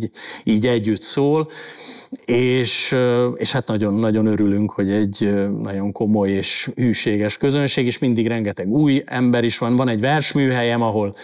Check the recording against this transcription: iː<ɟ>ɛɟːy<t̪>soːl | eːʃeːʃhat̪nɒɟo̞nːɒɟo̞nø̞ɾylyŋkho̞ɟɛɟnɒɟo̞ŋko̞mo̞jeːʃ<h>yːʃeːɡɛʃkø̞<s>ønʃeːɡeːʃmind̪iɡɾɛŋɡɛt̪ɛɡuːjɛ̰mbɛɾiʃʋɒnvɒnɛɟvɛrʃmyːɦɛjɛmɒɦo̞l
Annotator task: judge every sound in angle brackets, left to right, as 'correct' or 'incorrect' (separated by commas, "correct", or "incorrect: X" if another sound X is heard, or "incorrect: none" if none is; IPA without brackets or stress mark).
correct, correct, correct, incorrect: z